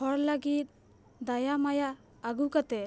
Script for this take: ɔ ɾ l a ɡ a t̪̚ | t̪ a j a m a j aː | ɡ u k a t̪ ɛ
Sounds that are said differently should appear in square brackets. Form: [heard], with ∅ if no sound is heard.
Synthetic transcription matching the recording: ɔ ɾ l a ɡ [i] t̪̚ | [d̪] a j a m a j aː | ɡ u k a t̪ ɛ